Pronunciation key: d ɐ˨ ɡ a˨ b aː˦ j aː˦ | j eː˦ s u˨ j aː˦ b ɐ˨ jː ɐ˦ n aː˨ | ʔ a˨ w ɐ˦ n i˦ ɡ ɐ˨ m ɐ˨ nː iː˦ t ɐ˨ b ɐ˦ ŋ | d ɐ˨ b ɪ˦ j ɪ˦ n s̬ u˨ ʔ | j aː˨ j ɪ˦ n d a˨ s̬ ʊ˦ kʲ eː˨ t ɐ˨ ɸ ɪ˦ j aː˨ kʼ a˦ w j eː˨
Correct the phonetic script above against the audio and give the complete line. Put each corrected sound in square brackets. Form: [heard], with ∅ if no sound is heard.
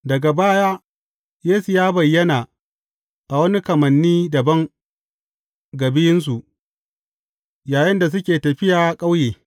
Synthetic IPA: d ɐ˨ ɡ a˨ b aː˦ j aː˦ | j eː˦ s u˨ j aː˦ b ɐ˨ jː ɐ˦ n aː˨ | ʔ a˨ w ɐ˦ n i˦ [k] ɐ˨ m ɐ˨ nː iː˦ [d] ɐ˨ b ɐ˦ ŋ | [ɡ] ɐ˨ b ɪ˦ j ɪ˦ n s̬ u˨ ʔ | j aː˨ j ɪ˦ n d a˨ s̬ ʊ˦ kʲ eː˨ t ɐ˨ ɸ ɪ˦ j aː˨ kʼ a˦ w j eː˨